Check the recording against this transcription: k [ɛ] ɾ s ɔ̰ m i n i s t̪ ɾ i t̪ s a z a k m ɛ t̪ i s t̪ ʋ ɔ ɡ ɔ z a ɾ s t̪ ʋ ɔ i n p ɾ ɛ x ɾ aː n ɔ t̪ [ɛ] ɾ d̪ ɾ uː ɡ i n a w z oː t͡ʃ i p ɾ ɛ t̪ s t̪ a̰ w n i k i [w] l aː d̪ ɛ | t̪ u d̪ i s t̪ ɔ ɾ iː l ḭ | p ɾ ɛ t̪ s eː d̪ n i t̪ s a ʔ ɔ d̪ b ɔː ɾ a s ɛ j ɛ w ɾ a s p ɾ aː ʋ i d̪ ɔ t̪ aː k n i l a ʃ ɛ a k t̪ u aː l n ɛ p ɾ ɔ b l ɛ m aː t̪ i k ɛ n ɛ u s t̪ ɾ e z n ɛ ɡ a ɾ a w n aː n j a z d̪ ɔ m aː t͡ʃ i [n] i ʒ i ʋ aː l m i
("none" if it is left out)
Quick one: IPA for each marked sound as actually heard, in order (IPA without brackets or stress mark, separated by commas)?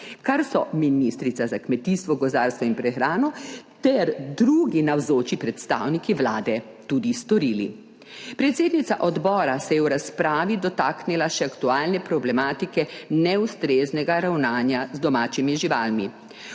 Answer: a, ɛ, ʋ, m